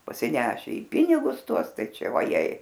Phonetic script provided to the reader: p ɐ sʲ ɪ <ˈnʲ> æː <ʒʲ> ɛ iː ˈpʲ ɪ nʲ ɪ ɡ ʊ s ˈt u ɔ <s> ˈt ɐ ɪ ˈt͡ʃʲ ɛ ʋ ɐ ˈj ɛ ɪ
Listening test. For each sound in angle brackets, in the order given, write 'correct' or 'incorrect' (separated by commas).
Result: correct, incorrect, correct